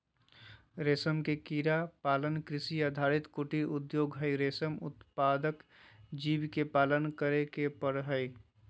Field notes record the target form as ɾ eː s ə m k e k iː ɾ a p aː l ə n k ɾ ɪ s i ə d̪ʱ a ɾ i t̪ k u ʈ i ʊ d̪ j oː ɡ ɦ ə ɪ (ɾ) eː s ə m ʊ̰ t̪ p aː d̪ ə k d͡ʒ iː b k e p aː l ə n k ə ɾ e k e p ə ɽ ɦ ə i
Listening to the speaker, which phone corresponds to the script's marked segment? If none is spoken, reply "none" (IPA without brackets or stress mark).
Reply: ɾ